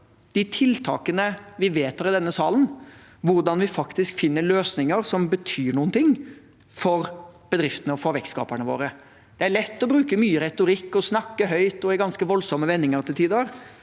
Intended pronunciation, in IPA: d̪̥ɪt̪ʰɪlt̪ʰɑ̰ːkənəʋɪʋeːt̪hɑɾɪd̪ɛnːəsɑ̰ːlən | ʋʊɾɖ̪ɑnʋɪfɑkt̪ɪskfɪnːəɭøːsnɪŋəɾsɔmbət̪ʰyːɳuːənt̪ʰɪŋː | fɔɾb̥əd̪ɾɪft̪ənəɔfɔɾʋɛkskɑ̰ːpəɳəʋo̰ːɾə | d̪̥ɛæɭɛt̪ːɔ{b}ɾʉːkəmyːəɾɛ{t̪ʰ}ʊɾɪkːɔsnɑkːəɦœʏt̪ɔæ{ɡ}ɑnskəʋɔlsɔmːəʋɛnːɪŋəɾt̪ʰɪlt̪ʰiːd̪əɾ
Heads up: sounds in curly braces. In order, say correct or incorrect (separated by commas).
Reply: correct, incorrect, correct